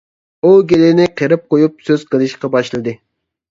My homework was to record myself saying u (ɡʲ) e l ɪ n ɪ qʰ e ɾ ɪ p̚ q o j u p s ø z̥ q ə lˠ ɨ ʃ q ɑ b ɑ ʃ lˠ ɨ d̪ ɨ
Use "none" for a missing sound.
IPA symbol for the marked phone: ɡʲ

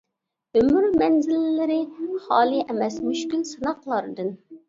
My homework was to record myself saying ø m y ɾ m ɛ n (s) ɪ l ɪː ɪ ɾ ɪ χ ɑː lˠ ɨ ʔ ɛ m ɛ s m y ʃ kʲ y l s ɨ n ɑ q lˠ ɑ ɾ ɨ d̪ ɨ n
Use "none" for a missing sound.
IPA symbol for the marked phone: z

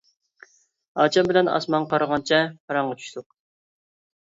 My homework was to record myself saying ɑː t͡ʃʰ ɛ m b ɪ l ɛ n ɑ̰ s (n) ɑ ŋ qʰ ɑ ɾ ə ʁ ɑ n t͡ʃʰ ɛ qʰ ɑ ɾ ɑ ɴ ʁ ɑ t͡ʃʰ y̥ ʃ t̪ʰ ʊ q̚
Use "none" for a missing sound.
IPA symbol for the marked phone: m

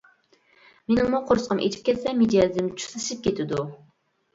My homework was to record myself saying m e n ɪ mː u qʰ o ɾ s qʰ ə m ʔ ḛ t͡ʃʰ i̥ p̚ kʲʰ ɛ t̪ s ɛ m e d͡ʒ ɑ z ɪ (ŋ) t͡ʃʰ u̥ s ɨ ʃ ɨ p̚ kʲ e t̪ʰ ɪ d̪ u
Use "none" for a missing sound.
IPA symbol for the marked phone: m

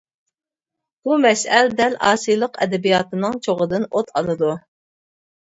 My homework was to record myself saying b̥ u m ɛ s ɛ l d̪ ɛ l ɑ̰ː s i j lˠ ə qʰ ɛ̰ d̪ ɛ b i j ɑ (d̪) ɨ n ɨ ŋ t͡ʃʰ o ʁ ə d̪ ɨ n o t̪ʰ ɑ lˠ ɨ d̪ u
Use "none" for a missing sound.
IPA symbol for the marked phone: t̪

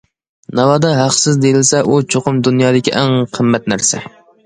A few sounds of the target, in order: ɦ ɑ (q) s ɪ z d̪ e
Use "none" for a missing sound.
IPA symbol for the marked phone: q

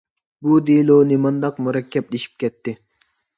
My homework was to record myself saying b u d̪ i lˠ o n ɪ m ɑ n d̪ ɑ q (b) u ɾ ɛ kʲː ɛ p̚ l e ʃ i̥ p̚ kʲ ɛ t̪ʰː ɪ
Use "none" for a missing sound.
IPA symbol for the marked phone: m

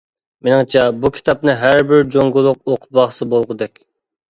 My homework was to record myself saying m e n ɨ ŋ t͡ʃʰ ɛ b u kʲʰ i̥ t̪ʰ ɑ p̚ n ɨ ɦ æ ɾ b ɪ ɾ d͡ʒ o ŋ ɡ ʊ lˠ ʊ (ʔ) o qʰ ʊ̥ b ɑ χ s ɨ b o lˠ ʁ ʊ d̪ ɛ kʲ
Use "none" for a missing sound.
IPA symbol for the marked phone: q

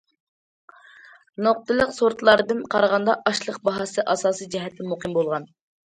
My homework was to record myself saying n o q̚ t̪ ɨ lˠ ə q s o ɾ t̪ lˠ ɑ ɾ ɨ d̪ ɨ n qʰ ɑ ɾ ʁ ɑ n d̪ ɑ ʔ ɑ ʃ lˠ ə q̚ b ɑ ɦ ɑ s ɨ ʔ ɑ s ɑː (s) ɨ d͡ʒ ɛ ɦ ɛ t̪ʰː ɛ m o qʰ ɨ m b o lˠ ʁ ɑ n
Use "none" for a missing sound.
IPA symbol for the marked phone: s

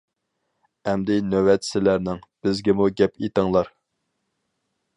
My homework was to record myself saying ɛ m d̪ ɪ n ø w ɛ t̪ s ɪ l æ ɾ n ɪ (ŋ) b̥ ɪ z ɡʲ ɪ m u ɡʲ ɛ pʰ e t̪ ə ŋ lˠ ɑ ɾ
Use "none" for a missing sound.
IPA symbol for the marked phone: ŋ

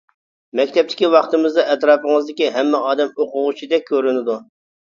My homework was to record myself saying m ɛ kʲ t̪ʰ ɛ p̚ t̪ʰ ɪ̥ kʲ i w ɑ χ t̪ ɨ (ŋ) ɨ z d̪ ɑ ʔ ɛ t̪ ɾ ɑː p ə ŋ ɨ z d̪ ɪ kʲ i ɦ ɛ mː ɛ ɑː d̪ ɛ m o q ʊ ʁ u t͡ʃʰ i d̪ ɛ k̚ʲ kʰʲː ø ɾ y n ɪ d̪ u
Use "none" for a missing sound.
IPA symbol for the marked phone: m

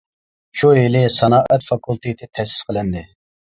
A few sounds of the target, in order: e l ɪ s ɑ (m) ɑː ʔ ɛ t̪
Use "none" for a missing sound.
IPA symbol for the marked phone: n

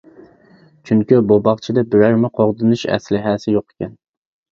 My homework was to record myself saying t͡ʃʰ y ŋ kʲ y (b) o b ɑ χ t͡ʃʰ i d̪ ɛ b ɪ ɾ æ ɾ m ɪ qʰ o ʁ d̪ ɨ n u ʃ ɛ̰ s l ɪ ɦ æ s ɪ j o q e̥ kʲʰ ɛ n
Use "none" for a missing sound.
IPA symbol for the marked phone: b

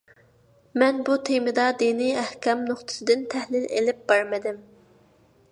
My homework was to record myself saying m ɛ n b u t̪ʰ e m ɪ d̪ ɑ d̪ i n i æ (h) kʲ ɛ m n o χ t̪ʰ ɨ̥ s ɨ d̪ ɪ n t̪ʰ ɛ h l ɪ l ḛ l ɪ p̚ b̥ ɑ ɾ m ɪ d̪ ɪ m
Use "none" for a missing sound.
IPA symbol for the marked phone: h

